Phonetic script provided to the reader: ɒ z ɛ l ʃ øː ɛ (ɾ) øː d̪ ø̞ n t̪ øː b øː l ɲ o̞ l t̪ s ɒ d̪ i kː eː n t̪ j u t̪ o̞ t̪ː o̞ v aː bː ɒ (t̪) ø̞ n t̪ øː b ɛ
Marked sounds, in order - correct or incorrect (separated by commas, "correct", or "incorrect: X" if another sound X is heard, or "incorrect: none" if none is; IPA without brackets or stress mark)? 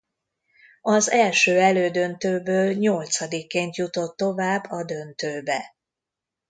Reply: incorrect: l, incorrect: d̪